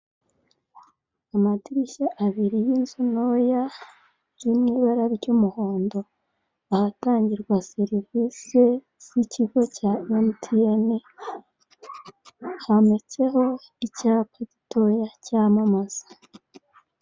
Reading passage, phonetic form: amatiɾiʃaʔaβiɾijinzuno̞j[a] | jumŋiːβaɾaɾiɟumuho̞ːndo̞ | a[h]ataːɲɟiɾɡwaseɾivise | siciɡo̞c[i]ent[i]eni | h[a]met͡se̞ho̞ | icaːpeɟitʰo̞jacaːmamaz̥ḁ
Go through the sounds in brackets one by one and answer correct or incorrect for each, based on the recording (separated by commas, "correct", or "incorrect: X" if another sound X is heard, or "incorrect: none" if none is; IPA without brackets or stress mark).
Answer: correct, correct, incorrect: a, correct, correct